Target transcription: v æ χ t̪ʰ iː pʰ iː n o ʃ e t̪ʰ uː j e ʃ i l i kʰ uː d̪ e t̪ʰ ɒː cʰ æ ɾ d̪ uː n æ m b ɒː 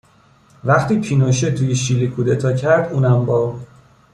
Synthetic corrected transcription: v æ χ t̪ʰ iː pʰ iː n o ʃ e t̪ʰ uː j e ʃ i l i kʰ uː d̪ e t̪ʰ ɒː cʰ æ ɾ d̪ uː n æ m b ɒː

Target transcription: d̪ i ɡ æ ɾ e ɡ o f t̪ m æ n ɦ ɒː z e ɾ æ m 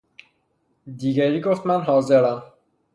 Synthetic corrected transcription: d̪ i ɡ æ ɾ i ɡ o f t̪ m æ n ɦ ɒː z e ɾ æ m

